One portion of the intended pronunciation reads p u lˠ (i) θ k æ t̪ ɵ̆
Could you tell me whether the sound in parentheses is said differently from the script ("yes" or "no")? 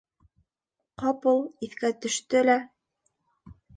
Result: no